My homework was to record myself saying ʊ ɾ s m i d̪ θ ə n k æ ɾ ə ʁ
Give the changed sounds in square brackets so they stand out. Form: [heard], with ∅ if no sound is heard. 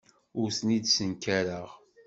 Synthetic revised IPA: ʊ ɾ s [n] i d̪ [s] ə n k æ ɾ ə ʁ